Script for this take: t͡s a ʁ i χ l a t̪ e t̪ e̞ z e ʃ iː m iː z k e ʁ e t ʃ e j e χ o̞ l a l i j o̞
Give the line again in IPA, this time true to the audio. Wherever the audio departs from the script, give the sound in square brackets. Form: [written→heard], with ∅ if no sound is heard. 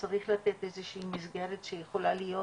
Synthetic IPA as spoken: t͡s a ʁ i χ l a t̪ e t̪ e̞ z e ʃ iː m [iː→i] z [k→ɡ] e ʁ e t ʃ e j e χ o̞ l a l i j o̞